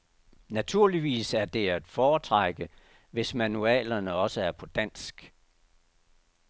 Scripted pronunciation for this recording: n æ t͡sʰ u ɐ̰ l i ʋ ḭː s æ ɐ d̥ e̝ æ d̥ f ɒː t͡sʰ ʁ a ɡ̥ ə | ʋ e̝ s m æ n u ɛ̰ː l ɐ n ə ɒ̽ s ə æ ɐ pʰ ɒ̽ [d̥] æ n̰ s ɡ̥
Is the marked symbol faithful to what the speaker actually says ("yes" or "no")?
yes